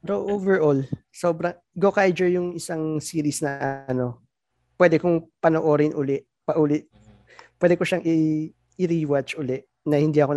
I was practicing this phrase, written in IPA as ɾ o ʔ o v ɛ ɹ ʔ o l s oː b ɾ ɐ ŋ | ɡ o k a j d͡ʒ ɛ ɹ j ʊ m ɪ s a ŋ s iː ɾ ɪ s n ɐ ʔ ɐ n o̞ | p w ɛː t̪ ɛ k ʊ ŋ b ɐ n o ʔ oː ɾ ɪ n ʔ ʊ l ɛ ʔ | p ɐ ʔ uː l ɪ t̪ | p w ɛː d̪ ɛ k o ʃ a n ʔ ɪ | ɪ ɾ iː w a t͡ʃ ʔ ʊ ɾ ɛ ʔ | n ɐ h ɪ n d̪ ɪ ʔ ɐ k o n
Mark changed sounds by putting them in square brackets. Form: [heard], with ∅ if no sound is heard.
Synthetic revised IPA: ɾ o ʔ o v ɛ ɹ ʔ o l s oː b ɾ ɐ ŋ | ɡ o k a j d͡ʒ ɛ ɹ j ʊ [ŋ] ɪ s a ŋ s iː ɾ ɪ s n ɐ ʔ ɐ n o̞ | p w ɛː [d̪] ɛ k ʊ ŋ [p] ɐ n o ʔ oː ɾ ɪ n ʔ ʊ l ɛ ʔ | p ɐ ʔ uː l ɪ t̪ | p w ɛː d̪ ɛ k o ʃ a [ŋ] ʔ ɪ | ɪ ɾ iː w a t͡ʃ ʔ ʊ [l] ɛ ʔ | n ɐ h ɪ n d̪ [i] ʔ ɐ k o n